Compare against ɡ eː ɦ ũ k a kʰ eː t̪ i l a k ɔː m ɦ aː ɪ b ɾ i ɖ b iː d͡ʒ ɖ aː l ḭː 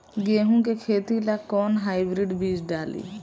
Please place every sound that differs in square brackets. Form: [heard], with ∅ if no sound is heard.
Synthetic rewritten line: ɡ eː ɦ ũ k [e] kʰ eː t̪ i l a k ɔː [n] ɦ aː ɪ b ɾ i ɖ b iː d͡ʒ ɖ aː l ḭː